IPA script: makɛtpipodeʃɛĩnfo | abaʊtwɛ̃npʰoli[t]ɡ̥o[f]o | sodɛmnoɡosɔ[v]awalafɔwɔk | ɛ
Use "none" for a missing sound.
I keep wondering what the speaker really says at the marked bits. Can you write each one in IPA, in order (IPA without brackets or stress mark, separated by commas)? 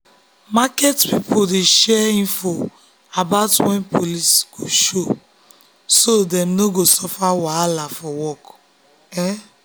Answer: s, ʃ, f